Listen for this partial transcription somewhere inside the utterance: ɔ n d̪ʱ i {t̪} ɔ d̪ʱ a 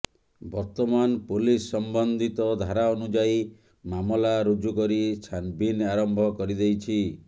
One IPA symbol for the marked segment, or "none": t̪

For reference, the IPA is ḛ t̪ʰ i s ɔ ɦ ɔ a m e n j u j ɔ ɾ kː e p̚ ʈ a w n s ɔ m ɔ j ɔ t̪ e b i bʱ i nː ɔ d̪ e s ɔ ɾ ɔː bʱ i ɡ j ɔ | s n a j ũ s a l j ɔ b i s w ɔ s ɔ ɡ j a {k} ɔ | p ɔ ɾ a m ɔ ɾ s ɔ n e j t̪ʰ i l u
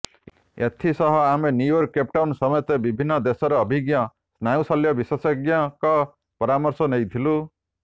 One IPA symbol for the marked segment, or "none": k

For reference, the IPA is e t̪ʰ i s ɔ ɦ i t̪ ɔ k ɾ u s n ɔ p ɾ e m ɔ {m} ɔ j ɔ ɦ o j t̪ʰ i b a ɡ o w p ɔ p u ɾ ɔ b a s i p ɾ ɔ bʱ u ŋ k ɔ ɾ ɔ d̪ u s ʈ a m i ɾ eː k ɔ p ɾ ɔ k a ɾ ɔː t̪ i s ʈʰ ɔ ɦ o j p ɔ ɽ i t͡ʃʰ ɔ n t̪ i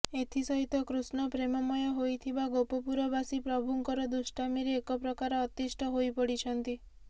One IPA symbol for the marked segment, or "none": m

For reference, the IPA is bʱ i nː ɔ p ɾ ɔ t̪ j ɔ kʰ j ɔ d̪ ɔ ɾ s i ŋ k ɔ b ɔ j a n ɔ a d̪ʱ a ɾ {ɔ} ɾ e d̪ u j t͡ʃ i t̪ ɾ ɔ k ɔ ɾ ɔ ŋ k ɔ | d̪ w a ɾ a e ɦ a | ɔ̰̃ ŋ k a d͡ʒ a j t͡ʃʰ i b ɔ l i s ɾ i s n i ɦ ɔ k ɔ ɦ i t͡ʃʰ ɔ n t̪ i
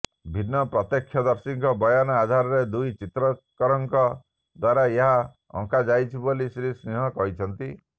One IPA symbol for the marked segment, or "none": ɔ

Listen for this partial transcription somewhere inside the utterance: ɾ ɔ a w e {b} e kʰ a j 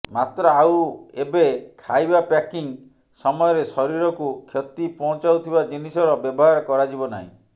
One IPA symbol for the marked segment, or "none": b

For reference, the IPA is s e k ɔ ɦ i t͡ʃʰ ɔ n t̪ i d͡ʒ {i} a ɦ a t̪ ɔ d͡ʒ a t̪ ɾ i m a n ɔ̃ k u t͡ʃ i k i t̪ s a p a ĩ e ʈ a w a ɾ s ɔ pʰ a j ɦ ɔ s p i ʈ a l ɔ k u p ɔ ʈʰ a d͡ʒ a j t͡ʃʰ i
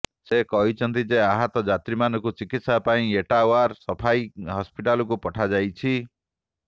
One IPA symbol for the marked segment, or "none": e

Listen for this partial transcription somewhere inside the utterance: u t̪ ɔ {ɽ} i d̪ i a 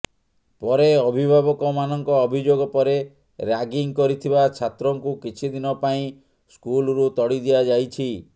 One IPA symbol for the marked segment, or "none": ɽ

